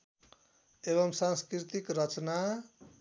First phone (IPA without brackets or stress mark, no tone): e